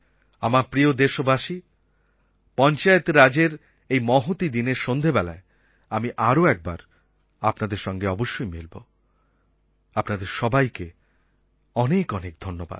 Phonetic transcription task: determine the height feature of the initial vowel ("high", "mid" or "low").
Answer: low